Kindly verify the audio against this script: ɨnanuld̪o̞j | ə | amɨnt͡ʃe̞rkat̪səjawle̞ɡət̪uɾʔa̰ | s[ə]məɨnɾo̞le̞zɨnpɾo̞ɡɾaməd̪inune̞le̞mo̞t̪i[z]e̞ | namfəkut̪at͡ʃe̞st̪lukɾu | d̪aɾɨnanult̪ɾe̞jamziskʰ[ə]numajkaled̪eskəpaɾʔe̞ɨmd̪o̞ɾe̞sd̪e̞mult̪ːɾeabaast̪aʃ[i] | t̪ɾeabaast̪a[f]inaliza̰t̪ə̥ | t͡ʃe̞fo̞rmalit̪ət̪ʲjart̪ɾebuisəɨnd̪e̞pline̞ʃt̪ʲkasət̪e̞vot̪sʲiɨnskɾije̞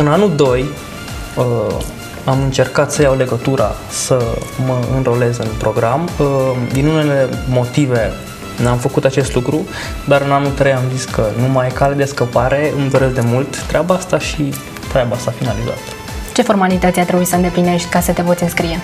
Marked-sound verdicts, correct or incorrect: correct, incorrect, correct, correct, correct

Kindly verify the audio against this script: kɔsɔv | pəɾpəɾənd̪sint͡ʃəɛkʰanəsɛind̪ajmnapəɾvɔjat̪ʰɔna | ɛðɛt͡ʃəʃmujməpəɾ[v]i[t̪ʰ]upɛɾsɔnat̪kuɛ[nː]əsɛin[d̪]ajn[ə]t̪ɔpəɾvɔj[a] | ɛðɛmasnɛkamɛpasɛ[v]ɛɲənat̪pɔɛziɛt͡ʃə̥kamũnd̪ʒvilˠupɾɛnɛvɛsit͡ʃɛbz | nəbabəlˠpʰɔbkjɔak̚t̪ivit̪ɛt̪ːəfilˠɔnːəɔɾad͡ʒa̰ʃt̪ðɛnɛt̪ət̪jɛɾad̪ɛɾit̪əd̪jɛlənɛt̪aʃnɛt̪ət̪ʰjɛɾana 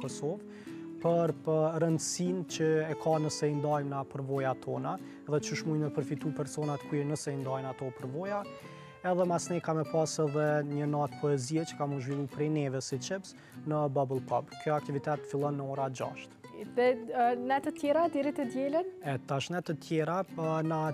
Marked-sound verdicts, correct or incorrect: incorrect, incorrect, incorrect, correct, incorrect, correct, incorrect

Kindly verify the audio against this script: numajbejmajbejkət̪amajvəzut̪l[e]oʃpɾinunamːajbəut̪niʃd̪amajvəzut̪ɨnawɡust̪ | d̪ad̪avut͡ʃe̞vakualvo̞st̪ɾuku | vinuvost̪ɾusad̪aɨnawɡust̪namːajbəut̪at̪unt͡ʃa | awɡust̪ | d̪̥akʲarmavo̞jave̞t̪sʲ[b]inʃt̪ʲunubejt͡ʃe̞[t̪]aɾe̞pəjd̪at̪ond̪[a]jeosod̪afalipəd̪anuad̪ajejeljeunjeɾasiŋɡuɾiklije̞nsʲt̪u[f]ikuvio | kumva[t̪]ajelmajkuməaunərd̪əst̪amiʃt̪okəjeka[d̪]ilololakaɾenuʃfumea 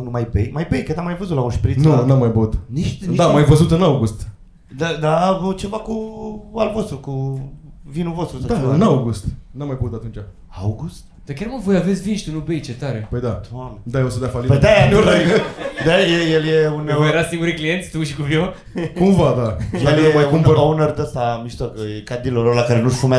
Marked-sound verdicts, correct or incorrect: incorrect, incorrect, correct, correct, incorrect, incorrect, correct

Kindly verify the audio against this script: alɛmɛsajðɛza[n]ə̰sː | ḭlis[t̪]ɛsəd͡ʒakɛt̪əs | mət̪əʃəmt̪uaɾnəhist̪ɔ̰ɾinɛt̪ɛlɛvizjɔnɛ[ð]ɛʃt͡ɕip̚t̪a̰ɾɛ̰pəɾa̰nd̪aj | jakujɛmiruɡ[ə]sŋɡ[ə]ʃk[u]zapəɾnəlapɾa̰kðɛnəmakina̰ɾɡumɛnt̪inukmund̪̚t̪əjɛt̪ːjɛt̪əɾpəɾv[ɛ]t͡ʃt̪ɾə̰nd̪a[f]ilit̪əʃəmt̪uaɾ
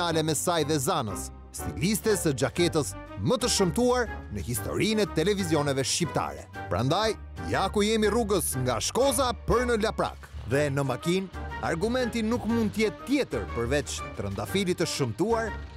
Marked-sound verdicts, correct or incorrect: correct, correct, incorrect, correct, incorrect, incorrect, correct, correct

